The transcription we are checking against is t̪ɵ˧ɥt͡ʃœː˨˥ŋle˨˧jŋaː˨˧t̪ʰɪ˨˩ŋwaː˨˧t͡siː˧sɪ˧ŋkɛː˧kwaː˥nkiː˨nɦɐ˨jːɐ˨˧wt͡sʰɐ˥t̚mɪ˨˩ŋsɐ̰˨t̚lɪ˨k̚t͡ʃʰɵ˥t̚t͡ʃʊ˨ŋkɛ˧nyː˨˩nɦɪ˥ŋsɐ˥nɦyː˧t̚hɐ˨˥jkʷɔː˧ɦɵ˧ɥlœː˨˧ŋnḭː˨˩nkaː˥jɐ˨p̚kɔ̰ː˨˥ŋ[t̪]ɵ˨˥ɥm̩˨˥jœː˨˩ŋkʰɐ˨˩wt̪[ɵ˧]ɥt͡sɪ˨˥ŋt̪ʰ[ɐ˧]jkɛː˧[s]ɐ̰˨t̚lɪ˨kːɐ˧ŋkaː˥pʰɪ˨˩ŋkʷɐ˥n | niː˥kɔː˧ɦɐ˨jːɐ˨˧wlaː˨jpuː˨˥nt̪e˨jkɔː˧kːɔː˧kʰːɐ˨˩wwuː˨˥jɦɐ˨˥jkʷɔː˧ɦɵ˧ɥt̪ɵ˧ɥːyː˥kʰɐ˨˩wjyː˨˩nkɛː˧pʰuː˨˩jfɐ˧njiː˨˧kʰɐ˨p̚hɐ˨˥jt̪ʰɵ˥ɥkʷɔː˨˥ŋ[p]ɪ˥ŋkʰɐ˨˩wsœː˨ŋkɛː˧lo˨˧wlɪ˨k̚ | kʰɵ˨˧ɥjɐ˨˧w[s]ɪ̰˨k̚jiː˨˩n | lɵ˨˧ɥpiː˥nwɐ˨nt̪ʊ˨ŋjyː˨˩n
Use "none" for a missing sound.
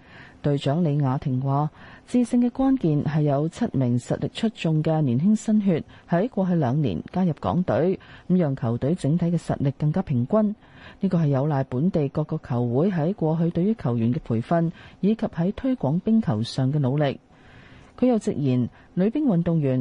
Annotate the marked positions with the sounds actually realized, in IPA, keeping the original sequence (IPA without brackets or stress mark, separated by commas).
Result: t̪, ɵ˨˥, ɐ˨˥, s, p, t͡s